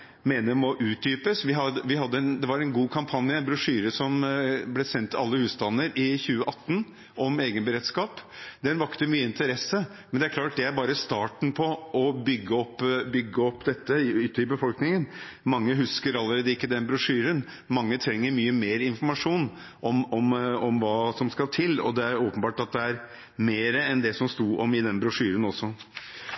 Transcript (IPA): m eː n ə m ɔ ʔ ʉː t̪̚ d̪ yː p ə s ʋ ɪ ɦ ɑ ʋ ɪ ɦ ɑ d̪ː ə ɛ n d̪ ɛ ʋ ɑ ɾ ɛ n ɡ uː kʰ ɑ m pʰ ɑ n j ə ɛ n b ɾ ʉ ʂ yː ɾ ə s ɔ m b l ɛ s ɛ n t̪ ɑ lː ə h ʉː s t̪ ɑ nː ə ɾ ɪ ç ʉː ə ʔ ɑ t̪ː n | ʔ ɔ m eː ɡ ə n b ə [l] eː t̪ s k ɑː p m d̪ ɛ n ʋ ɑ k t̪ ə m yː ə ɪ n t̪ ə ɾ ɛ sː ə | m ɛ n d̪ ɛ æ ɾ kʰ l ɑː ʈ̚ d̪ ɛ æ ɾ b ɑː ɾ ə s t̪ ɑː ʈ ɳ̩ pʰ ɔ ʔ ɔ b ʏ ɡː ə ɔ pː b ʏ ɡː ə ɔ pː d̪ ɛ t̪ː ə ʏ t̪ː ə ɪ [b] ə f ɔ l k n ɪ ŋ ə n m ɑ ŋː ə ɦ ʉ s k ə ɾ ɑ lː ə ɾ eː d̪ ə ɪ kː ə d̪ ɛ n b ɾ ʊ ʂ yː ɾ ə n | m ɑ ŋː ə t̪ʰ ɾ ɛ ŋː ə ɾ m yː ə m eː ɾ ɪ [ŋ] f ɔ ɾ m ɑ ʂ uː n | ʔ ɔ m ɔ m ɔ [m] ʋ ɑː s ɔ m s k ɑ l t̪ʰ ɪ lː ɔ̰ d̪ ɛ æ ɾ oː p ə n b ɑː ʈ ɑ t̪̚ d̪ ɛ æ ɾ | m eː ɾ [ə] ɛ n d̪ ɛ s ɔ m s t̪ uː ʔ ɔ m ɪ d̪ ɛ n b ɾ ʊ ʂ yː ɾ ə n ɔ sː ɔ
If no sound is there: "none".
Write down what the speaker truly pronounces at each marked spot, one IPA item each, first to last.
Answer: ɾ, b, n, m, ə

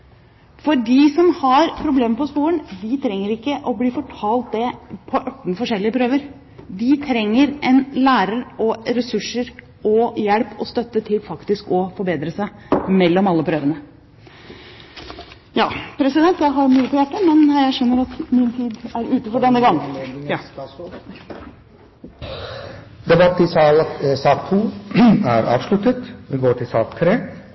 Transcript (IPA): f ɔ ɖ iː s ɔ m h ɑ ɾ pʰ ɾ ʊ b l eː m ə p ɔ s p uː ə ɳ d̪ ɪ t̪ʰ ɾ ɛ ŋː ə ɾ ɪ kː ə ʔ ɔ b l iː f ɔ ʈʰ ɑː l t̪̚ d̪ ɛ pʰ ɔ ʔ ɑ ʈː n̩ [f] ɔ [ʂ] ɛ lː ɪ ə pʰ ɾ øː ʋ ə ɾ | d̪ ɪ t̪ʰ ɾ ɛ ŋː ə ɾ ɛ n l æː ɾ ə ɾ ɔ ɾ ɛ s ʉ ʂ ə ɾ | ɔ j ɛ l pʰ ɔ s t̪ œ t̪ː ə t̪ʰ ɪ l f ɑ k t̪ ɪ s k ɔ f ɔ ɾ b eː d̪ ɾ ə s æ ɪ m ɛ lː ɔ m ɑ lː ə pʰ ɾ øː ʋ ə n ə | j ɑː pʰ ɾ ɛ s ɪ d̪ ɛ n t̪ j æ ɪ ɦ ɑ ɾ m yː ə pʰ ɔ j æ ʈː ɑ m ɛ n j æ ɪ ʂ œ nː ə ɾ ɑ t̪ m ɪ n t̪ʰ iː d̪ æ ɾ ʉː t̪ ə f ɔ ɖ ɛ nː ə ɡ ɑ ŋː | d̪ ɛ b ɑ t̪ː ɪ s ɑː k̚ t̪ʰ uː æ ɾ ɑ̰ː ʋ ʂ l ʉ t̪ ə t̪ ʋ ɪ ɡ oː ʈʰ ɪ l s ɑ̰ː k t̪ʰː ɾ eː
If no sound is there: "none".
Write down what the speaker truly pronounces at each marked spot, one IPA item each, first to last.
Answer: f, ʂ

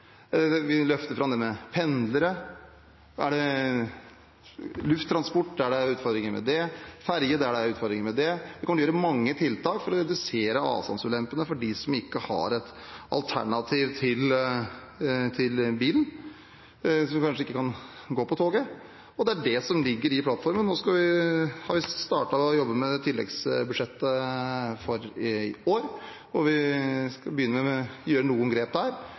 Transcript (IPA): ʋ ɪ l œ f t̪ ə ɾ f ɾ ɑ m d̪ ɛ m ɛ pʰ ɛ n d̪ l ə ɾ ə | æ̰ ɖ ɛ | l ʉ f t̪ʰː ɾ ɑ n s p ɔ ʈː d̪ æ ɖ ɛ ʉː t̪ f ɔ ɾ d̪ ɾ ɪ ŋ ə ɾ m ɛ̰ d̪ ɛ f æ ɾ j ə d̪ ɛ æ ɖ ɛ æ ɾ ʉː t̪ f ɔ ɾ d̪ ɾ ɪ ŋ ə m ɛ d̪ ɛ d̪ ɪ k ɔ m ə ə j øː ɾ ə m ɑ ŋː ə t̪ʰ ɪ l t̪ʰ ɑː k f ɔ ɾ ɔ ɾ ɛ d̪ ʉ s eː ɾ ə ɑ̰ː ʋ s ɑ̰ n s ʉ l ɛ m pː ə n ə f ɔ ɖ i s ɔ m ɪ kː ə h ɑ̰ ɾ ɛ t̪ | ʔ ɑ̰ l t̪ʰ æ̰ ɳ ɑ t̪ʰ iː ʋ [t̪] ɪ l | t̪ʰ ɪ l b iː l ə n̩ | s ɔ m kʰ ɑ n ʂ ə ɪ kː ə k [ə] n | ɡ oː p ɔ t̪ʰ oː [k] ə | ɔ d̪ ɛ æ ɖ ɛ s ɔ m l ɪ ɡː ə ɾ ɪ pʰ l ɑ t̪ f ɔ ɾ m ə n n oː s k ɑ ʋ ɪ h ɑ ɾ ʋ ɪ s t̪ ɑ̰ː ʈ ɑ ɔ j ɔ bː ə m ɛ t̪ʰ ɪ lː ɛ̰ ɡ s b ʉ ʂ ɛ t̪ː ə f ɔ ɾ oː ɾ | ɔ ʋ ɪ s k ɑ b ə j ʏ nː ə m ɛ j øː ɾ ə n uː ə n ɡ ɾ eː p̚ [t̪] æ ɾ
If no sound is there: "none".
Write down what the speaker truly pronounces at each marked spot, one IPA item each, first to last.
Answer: t̪ʰ, ɑ, ɡ, d̪

